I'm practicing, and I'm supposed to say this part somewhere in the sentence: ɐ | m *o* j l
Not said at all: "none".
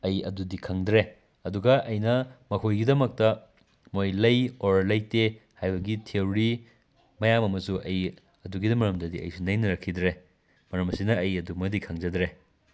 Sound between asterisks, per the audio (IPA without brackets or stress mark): o